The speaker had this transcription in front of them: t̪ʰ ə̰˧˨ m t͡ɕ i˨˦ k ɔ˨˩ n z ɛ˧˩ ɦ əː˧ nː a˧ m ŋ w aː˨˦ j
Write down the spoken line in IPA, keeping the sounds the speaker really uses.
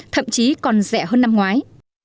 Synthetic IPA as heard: t̪ʰ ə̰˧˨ m t͡ɕ i˨˦ k ɔ˨˩ n z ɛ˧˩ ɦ əː˧ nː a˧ m ŋ w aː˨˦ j